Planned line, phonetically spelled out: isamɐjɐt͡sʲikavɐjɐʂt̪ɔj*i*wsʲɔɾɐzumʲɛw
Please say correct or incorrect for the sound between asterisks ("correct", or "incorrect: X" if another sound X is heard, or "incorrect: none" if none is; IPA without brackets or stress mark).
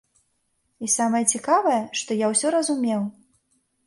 incorrect: a